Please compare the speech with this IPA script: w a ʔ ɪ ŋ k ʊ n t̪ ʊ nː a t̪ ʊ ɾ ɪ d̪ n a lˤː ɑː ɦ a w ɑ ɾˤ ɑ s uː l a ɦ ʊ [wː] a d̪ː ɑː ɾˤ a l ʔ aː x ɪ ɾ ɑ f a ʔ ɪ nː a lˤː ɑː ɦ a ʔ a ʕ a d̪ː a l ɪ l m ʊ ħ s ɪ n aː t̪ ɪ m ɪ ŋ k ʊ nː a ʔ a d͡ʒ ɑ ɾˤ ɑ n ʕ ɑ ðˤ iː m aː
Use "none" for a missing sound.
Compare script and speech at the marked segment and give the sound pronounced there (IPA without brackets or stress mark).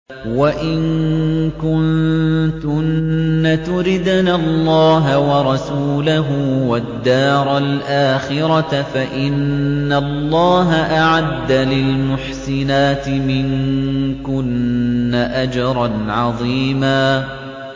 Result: w